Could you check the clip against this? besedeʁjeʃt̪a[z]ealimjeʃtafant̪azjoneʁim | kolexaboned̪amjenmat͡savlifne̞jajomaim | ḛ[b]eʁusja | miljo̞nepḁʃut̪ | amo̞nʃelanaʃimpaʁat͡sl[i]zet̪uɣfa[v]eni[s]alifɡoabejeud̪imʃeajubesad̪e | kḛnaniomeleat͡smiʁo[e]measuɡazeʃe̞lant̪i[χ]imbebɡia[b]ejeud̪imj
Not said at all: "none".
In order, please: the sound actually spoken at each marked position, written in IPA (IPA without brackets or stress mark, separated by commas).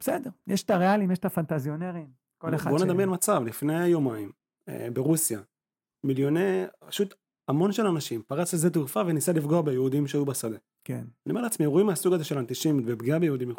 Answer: ʁ, b, e, v, s, i, ʃ, b